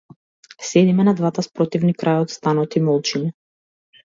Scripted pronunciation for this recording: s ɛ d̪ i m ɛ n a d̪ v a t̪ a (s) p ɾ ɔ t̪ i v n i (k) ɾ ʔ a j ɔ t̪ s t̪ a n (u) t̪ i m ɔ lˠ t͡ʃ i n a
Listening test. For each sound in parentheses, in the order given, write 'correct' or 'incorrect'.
correct, correct, incorrect

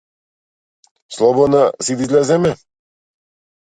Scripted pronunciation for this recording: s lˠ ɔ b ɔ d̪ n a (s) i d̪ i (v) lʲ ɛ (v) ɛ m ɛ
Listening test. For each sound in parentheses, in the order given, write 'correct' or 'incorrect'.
correct, incorrect, incorrect

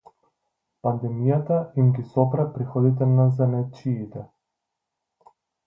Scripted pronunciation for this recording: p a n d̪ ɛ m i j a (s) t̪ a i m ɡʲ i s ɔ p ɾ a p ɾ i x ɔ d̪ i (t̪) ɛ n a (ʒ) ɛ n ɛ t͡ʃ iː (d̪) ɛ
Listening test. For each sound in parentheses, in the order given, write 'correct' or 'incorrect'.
incorrect, correct, incorrect, incorrect

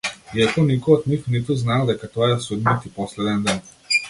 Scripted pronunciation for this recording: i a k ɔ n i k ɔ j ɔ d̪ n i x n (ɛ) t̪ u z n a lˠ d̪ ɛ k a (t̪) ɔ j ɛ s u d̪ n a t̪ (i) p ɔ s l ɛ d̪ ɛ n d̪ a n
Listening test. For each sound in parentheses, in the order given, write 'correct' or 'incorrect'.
incorrect, correct, correct

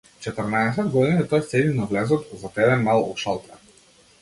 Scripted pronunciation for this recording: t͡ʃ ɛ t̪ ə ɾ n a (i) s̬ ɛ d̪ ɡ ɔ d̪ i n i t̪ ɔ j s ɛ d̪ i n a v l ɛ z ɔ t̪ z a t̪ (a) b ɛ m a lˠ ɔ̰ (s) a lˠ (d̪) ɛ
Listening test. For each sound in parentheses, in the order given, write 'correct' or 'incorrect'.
incorrect, incorrect, incorrect, incorrect

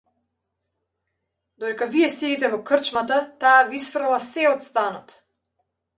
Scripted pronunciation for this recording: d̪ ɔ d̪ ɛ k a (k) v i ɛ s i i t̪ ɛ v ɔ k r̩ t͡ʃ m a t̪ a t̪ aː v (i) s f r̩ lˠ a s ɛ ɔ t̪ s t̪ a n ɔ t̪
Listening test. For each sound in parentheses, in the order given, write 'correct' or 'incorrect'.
incorrect, correct

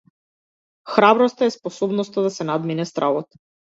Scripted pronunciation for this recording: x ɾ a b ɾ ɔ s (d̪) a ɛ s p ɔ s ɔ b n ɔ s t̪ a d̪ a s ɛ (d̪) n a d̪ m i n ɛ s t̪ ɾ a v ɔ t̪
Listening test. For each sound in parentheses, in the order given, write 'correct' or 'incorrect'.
incorrect, incorrect

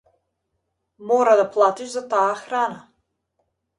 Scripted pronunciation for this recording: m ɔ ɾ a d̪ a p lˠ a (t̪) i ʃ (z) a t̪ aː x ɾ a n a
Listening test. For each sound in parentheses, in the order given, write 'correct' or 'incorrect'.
correct, correct

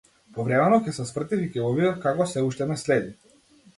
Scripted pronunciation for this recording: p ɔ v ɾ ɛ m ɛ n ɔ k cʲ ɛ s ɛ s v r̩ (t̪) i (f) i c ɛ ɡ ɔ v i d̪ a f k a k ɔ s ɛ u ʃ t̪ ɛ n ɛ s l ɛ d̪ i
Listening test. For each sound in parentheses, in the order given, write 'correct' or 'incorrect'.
correct, correct

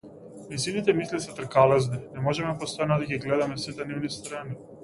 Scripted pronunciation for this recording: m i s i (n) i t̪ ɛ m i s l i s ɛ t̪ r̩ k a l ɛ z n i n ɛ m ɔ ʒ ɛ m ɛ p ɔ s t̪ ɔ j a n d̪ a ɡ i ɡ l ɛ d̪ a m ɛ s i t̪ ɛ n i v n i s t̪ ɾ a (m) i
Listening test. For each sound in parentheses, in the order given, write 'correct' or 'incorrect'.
correct, incorrect

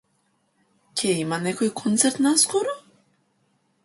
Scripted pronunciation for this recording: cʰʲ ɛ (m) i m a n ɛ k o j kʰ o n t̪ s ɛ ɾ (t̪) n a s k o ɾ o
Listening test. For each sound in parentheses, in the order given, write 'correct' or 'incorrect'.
incorrect, correct

